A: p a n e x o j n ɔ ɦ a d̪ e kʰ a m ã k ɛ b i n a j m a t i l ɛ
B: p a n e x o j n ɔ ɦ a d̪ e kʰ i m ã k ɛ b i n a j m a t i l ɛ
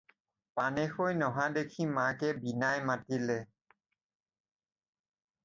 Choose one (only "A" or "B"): B